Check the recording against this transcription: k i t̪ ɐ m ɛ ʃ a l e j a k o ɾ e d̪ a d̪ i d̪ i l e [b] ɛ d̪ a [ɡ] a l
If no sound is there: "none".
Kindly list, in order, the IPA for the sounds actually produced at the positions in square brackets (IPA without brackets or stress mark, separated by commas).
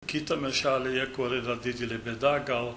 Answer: b, ɡ